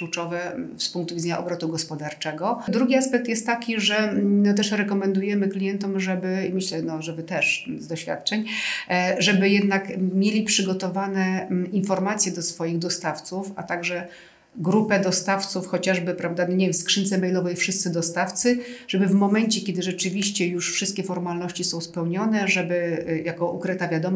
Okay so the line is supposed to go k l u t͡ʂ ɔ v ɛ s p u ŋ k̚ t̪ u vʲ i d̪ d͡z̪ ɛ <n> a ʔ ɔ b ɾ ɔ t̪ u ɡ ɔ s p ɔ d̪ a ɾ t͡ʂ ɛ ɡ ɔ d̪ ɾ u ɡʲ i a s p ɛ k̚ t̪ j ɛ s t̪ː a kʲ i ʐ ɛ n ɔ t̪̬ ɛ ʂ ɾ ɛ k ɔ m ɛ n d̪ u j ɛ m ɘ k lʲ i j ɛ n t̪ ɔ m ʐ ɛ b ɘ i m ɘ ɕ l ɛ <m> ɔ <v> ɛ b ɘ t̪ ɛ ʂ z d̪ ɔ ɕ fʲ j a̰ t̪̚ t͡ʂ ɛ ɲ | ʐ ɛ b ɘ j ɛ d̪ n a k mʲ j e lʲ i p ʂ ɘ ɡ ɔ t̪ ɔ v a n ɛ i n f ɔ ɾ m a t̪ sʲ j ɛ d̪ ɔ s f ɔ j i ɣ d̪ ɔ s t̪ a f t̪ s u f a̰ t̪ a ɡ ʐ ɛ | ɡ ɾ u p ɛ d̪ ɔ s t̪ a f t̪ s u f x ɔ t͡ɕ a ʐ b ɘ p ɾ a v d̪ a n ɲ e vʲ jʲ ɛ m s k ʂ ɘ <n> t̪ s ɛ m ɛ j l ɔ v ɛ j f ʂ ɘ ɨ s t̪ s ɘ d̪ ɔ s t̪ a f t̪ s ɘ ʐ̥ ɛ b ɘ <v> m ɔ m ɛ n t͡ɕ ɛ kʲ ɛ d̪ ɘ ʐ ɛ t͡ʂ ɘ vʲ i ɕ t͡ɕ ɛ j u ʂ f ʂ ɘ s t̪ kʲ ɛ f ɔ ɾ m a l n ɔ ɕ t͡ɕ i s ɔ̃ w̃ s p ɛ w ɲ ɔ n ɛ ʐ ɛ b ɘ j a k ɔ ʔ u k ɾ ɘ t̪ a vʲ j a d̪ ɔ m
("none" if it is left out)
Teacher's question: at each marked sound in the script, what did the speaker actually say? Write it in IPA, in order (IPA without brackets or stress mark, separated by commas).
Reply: ɲ, n, ʐ, n, v